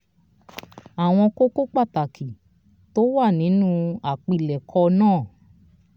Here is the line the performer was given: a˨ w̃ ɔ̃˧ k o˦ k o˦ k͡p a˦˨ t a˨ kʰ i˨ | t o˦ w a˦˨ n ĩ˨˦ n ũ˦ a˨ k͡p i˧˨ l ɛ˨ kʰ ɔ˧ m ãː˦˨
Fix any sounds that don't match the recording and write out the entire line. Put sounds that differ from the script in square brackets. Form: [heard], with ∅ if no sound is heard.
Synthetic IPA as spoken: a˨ w̃ ɔ̃˧ k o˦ k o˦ k͡p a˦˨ t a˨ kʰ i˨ | t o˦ w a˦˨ n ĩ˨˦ n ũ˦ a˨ k͡p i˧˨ l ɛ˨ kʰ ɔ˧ [n] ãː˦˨